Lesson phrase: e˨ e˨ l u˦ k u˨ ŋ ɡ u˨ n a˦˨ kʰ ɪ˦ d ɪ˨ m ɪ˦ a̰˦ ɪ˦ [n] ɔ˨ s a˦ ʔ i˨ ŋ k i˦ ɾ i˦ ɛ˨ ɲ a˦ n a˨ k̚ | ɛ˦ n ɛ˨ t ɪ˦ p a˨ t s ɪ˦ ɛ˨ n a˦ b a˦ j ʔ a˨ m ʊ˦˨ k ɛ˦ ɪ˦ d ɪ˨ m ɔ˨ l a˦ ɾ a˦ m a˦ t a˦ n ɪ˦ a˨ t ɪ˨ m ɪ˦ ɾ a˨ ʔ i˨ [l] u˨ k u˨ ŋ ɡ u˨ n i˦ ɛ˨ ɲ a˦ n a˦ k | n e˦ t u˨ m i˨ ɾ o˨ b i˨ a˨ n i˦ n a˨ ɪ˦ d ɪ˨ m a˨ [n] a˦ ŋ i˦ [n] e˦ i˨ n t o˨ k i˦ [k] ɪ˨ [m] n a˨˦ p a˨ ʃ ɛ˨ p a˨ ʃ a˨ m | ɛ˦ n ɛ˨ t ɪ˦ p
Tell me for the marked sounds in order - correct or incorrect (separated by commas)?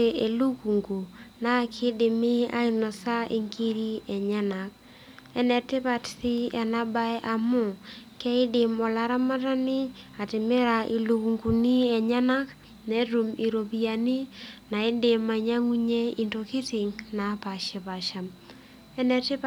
correct, correct, incorrect, incorrect, incorrect, incorrect